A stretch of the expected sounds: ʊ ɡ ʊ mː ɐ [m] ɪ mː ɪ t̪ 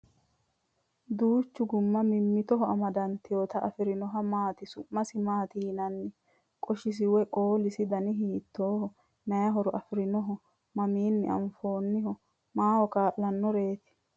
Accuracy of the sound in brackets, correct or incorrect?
correct